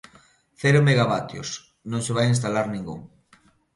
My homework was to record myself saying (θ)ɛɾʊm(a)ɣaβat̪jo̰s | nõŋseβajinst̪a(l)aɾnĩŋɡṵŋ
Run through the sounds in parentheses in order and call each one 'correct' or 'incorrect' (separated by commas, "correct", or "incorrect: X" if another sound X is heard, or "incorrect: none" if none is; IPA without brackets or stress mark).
correct, incorrect: e, correct